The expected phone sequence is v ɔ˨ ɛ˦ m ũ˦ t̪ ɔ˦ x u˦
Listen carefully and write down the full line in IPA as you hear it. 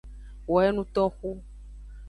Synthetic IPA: w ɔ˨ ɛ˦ n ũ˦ t̪ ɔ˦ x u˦